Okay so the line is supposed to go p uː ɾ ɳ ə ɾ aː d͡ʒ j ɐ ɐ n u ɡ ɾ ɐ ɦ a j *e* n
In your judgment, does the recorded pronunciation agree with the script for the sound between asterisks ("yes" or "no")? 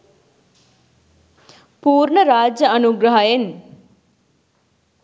yes